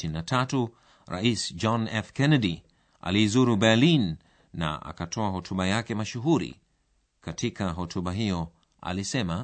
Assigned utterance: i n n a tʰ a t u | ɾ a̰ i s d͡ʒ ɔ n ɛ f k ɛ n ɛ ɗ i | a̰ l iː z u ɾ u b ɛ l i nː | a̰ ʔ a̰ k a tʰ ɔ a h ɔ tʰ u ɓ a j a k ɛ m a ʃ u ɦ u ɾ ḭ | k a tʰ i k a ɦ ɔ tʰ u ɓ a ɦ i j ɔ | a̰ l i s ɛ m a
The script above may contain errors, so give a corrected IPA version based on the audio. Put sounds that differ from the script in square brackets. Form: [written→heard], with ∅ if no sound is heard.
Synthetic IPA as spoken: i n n a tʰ a t u | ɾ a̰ i s d͡ʒ ɔ n ɛ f k ɛ n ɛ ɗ i | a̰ l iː z u ɾ u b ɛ l i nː | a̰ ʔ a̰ k a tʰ ɔ a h ɔ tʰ u ɓ a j a k ɛ m a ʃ u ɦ u ɾ ḭ | k a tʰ i k a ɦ ɔ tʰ u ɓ a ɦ i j ɔ | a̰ l i s ɛ m a